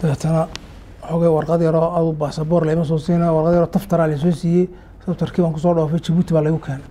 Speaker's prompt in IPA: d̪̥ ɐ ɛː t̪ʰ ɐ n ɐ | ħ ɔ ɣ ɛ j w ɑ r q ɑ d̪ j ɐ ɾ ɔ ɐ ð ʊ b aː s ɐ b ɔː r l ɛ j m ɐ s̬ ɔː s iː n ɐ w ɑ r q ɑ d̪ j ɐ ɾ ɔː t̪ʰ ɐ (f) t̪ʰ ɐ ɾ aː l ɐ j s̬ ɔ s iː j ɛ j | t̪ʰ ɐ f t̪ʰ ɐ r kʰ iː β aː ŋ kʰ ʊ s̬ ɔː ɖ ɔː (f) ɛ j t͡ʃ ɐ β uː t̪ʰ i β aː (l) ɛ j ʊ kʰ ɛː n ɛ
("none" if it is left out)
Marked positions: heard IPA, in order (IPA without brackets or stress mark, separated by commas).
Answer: f, f, l